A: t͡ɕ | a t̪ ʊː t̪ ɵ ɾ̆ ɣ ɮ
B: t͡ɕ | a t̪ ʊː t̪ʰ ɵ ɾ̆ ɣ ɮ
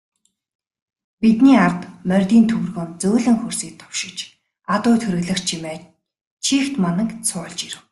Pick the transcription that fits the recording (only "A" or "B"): B